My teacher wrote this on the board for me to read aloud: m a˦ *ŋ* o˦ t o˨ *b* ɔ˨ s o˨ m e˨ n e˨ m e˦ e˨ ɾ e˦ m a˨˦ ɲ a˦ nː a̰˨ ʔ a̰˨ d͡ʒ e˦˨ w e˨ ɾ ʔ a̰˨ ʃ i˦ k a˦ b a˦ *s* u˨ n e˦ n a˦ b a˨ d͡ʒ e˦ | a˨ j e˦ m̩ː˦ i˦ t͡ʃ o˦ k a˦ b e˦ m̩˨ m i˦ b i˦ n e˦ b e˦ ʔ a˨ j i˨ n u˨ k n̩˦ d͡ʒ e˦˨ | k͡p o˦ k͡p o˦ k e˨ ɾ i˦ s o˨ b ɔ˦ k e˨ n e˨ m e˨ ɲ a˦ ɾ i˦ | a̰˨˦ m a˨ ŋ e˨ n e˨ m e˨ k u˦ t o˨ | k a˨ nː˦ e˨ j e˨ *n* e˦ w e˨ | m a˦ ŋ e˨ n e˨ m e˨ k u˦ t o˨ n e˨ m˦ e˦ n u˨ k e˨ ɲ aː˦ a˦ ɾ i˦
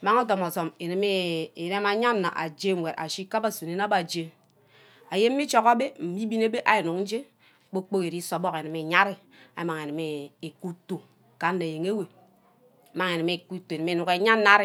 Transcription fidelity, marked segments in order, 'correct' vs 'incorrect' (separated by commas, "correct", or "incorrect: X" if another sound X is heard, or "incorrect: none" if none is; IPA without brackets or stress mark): correct, incorrect: m, correct, incorrect: ŋ